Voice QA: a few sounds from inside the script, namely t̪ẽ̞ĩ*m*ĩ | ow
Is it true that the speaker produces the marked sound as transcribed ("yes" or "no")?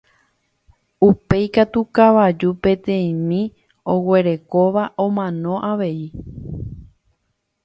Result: yes